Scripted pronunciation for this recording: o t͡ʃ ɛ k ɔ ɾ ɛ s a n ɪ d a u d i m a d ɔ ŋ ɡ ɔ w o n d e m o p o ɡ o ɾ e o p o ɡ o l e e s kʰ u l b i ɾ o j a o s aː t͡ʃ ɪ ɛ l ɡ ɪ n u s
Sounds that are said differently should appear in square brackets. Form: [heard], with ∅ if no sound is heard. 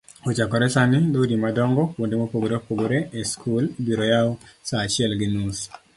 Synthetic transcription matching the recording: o t͡ʃ [a] k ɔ ɾ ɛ s a n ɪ d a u d i m a d ɔ ŋ ɡ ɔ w o n d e m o p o ɡ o ɾ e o p o ɡ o [ɾ] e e s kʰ u l b i ɾ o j a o s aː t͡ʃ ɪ ɛ l ɡ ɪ n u s